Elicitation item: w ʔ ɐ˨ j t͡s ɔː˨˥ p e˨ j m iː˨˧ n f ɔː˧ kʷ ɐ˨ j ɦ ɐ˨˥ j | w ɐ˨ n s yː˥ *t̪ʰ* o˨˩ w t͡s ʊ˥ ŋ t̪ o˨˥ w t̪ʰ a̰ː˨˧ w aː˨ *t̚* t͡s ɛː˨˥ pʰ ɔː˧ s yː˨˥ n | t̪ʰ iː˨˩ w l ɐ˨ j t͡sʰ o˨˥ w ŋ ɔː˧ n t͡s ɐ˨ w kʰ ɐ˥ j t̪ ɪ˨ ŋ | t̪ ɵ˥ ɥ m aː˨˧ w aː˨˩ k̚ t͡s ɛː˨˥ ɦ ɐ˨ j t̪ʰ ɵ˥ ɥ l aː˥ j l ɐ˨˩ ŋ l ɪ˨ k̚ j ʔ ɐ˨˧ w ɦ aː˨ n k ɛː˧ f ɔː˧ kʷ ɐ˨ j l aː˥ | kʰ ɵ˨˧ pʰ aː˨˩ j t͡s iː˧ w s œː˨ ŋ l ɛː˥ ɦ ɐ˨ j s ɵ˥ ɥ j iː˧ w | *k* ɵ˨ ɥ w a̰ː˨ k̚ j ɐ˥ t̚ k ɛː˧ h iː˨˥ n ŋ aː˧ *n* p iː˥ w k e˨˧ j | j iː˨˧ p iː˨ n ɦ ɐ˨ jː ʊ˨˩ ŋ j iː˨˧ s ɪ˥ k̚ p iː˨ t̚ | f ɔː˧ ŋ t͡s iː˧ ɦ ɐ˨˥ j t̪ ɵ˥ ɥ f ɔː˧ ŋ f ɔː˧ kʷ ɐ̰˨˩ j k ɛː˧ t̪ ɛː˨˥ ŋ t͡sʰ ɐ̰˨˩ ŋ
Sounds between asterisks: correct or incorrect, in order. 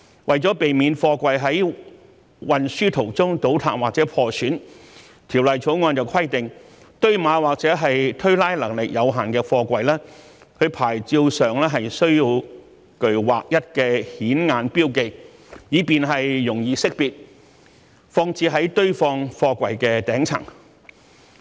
correct, incorrect, correct, correct

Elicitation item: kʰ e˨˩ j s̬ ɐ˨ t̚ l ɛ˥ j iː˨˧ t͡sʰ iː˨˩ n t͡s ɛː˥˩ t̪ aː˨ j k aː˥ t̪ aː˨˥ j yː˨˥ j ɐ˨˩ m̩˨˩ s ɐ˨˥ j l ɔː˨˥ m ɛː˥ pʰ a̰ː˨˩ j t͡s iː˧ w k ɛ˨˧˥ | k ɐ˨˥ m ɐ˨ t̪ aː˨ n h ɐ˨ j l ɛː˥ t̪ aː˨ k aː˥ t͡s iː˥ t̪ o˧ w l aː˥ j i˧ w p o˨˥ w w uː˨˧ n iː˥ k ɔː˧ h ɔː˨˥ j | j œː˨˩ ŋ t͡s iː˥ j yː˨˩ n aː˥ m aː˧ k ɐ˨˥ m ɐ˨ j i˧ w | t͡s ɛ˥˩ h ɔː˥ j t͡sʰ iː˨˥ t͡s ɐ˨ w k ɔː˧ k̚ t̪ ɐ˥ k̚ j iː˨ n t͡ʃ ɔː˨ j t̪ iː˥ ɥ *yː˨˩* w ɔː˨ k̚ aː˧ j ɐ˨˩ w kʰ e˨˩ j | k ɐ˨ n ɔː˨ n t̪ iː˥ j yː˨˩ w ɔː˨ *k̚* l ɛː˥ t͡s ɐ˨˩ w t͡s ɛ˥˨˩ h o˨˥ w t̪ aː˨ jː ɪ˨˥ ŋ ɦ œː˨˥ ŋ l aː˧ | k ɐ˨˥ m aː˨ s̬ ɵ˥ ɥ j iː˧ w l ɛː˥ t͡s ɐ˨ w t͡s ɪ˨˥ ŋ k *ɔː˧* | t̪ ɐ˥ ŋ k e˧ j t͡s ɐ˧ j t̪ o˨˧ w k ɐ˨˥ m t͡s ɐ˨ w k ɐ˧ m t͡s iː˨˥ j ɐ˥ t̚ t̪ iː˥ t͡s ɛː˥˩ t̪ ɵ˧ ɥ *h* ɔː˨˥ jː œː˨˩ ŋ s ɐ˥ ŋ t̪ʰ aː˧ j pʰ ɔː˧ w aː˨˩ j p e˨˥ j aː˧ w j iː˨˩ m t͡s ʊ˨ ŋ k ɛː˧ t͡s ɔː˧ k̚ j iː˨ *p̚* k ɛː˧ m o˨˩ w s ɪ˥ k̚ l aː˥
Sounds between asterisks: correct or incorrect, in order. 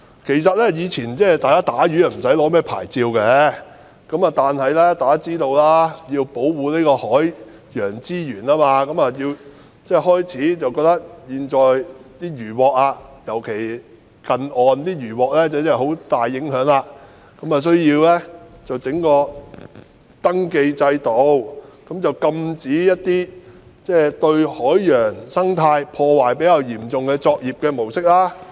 correct, correct, correct, correct, correct

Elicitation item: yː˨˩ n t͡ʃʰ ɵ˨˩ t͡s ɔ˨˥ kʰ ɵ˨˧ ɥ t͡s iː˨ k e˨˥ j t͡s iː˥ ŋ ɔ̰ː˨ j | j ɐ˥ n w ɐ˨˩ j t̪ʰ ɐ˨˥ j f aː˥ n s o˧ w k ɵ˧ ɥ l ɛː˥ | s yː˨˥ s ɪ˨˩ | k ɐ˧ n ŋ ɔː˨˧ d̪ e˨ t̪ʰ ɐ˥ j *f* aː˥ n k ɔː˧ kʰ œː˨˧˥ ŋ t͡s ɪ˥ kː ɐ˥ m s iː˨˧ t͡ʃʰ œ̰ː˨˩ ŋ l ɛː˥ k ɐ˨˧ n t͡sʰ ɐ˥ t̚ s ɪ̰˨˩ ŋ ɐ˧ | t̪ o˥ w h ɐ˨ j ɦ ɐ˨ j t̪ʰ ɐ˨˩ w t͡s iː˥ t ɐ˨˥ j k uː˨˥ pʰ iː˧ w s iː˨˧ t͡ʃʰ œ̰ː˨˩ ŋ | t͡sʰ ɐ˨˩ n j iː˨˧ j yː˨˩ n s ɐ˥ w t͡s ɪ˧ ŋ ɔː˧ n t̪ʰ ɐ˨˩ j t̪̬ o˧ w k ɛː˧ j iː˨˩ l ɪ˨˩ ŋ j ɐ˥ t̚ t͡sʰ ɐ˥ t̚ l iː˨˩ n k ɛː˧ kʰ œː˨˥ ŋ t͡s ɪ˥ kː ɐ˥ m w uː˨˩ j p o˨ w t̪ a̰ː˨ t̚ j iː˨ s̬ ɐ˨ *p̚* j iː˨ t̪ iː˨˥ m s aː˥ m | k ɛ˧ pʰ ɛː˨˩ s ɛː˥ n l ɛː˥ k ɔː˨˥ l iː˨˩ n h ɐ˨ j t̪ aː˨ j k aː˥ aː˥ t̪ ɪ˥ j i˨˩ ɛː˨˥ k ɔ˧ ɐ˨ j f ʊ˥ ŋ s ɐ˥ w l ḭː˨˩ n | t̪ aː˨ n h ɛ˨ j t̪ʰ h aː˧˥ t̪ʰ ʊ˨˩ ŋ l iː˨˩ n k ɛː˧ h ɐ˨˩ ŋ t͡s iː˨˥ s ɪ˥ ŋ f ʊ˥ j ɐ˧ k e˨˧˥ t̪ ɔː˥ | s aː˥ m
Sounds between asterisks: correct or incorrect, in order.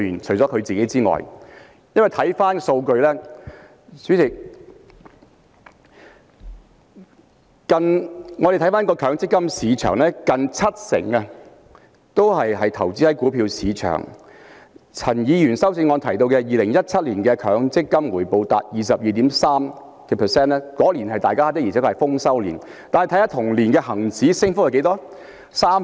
correct, correct

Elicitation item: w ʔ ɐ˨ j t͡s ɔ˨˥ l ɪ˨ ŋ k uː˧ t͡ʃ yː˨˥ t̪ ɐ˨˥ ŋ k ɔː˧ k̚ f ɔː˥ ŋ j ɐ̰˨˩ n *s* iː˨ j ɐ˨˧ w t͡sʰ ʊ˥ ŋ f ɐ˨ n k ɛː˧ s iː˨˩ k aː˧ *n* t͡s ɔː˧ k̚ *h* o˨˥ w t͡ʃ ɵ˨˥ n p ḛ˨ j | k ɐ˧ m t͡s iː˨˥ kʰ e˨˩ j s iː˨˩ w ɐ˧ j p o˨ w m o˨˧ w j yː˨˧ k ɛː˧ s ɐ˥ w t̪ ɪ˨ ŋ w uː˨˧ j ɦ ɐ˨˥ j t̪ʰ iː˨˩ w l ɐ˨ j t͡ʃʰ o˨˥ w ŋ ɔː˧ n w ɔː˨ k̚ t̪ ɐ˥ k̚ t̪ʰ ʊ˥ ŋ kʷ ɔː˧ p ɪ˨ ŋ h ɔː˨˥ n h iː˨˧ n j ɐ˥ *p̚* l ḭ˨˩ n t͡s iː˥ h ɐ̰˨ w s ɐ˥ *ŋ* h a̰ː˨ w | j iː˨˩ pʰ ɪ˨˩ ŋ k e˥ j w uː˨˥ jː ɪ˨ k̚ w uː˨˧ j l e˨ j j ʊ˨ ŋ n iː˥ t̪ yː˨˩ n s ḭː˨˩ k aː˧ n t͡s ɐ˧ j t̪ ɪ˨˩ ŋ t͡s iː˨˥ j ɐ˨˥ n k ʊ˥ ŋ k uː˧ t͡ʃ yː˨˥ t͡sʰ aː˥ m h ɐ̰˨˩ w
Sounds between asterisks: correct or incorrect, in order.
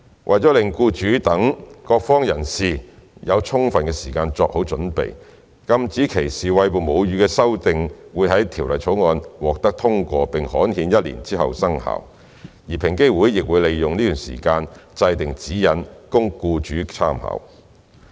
correct, correct, correct, incorrect, correct

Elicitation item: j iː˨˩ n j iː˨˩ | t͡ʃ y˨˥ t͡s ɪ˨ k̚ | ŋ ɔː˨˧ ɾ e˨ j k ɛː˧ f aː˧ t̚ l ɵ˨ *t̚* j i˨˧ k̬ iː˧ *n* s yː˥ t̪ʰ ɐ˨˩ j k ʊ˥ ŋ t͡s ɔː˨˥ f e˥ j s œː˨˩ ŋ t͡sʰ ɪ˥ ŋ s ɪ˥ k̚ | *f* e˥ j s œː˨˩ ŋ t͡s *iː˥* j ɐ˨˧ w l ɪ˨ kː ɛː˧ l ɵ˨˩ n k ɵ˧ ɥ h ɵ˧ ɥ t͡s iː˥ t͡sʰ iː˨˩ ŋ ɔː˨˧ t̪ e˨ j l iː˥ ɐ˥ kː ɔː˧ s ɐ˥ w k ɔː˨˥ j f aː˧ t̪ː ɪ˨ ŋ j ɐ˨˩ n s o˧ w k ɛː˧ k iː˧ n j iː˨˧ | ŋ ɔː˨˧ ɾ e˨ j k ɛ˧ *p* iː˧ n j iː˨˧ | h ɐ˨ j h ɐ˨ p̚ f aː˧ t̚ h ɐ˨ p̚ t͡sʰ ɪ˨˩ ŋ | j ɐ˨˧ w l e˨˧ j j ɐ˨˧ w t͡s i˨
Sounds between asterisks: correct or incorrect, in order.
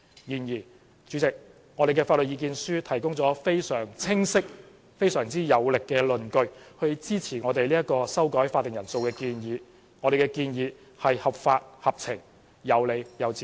correct, correct, correct, correct, incorrect

